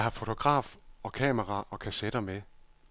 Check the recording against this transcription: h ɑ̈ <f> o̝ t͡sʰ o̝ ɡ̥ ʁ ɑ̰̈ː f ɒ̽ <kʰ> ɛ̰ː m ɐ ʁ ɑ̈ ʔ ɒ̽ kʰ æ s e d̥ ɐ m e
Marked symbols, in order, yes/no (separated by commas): yes, yes